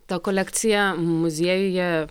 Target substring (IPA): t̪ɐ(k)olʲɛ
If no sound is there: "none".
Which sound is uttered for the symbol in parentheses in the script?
k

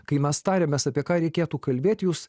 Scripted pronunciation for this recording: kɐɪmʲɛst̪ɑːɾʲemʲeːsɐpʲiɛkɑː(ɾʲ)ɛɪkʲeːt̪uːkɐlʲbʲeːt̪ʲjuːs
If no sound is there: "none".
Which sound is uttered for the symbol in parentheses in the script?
ɾʲ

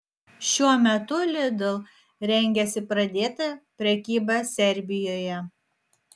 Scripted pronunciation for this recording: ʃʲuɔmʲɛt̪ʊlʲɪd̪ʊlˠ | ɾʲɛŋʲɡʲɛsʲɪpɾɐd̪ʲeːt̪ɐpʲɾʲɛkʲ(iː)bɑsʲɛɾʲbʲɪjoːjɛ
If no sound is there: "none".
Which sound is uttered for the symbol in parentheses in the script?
iː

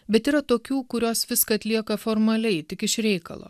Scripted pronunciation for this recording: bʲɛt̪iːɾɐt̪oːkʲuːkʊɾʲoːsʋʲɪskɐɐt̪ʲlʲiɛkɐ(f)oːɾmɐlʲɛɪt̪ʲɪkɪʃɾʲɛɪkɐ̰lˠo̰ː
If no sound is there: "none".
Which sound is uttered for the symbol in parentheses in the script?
f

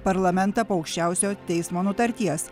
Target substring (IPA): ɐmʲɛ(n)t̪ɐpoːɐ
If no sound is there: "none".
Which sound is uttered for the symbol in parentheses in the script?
n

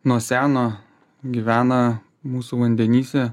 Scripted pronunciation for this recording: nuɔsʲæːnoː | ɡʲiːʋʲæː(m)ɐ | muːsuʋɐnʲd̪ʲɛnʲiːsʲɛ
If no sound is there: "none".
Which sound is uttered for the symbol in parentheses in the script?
n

